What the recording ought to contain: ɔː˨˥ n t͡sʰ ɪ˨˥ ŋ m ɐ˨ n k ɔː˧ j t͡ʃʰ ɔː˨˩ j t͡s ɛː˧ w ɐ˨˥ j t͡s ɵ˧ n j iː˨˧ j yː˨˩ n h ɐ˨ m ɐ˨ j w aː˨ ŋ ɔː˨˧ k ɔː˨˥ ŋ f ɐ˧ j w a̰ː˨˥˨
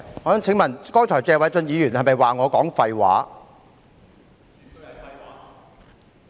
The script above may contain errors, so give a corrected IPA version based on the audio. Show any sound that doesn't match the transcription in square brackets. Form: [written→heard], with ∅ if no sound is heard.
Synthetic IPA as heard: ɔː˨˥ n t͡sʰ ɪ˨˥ ŋ m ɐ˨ n k [ɔː˧→ɔː˥] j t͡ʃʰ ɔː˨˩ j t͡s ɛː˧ w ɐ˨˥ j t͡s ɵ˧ n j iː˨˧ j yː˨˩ n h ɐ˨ m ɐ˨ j w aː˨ ŋ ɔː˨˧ k ɔː˨˥ ŋ f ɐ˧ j w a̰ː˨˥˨